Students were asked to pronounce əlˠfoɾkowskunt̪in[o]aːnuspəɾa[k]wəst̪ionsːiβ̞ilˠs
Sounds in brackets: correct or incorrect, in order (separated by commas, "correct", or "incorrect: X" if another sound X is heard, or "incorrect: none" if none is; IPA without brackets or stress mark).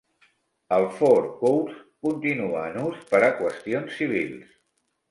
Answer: incorrect: u, correct